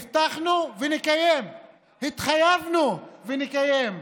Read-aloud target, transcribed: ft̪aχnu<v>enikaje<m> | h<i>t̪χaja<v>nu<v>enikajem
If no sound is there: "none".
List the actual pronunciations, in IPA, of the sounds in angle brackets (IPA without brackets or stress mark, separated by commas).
v, m, i, v, v